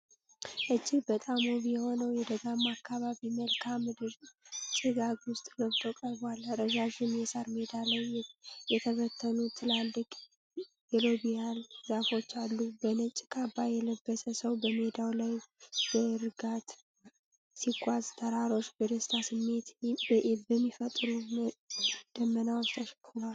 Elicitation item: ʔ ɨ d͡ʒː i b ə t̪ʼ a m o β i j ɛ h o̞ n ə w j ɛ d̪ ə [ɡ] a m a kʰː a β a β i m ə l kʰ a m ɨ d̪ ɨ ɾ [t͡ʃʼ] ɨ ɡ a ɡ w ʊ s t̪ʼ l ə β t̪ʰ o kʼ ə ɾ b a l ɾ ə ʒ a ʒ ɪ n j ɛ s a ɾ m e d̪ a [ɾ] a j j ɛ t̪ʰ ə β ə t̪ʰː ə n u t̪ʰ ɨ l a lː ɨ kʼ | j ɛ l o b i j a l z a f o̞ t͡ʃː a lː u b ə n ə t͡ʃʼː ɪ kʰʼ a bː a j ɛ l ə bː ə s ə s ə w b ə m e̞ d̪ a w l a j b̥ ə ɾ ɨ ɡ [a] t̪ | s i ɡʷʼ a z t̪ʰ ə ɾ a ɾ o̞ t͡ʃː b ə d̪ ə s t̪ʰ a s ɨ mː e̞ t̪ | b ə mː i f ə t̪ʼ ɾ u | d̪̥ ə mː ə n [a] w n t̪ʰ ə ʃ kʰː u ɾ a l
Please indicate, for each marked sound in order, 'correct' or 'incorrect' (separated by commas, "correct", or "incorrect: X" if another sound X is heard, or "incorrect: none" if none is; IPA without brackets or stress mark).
correct, correct, incorrect: l, correct, correct